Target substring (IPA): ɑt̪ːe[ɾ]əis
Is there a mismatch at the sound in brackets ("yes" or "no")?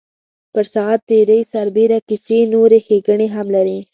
no